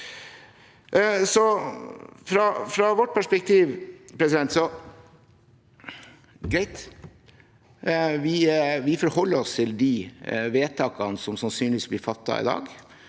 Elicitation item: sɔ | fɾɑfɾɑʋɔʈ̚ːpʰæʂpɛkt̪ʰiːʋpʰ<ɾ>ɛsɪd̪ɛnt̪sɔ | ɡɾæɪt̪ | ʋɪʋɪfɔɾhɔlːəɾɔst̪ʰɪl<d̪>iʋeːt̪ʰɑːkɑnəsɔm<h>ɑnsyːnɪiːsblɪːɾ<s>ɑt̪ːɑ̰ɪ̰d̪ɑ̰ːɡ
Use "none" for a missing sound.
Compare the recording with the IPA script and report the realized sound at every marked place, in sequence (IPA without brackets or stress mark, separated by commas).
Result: ɾ, d̪, s, f